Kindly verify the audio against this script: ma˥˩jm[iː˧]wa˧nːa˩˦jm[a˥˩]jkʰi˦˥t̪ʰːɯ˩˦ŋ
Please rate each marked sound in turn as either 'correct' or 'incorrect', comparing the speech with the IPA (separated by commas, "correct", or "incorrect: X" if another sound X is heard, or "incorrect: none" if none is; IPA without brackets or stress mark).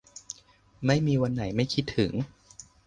correct, correct